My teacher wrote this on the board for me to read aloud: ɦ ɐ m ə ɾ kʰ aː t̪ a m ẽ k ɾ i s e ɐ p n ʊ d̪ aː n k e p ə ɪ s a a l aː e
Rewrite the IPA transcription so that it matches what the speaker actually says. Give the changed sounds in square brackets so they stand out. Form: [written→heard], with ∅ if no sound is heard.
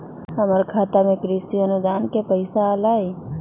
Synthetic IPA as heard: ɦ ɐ m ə ɾ kʰ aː t̪ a m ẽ k ɾ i s [e→i] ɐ [p→∅] n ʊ d̪ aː n k e p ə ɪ s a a l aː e